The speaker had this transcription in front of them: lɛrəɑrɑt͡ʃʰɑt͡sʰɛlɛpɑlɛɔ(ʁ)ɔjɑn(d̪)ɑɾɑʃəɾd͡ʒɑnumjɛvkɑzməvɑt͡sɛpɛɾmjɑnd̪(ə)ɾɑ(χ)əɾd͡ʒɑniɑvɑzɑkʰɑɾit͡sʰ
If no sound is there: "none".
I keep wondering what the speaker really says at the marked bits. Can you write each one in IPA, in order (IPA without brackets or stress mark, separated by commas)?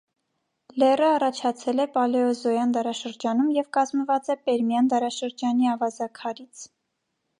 z, d̪, ɑ, ʃ